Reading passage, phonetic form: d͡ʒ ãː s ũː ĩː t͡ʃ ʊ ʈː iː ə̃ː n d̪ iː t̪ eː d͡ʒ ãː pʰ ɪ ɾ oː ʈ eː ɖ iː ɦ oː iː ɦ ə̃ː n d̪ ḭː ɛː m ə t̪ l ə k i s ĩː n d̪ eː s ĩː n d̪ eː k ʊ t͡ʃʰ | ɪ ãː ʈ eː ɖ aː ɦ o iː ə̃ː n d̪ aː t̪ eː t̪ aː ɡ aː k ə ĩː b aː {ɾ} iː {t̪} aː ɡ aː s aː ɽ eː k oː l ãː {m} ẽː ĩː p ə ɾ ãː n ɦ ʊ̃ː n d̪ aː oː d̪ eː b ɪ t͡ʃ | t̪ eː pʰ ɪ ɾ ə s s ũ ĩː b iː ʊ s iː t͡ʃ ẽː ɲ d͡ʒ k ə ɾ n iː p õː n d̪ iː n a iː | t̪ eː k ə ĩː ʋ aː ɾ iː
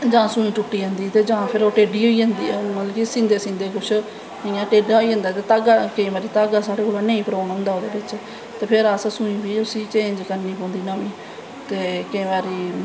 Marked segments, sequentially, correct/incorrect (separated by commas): correct, correct, incorrect